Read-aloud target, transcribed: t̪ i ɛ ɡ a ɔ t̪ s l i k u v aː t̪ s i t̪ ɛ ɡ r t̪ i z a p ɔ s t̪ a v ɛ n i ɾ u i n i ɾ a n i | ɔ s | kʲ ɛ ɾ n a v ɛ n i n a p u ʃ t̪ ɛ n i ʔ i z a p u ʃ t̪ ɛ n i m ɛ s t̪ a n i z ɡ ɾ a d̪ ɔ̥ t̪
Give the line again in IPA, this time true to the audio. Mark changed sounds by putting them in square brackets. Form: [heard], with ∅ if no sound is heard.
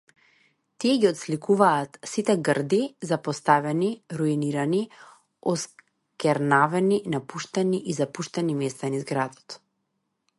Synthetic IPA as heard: t̪ i ɛ ɡ [i] ɔ t̪ s l i k u v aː t̪ s i t̪ ɛ ɡ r [d̪] i z a p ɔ s t̪ a v ɛ n i ɾ u i n i ɾ a n i | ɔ s | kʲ ɛ ɾ n a v ɛ n i n a p u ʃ t̪ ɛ n i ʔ i z a p u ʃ t̪ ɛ n i m ɛ s t̪ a n i z ɡ ɾ a d̪ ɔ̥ t̪

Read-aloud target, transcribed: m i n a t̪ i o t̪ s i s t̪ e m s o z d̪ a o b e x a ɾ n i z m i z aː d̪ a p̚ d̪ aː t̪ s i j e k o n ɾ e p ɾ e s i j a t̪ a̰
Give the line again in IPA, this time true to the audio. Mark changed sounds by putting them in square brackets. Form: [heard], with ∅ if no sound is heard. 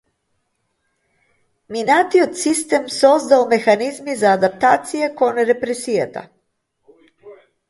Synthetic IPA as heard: m i n a t̪ i o t̪ s i s t̪ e m s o z d̪ a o [m] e x a [∅] n i z m i z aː d̪ a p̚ [t̪] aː t̪ s i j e k o n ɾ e p ɾ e s i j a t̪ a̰

